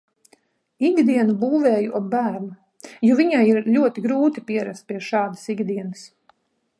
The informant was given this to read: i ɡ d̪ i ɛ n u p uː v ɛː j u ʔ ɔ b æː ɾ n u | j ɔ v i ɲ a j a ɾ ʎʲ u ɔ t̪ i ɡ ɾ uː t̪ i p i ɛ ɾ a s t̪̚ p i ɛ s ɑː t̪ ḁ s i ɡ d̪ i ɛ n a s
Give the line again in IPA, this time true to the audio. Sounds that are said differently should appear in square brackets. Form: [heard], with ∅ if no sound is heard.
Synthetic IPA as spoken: i ɡ d̪ i ɛ n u [b] uː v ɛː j u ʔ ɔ b æː ɾ n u | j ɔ v i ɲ a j [i] ɾ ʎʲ u ɔ t̪ i ɡ ɾ uː t̪ i p i ɛ ɾ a s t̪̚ p i ɛ [ʃ] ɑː [d̪] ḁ s i ɡ d̪ i ɛ n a s